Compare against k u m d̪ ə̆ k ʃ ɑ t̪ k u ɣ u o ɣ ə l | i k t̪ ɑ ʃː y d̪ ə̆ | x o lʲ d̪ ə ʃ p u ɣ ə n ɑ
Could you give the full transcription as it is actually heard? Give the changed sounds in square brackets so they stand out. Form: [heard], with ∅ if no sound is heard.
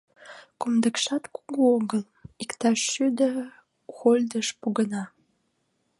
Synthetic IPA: k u m d̪ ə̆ k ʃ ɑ t̪ k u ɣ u o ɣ ə l | i k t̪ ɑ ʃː y d̪ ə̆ | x o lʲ d̪ ə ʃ p u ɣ ə n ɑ